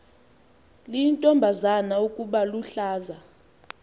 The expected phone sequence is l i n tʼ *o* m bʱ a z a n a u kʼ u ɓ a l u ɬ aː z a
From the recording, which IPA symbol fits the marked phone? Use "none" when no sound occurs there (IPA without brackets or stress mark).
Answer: ɔ